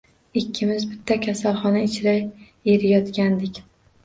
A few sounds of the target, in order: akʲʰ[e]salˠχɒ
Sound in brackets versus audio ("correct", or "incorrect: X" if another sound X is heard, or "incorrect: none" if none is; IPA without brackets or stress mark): incorrect: a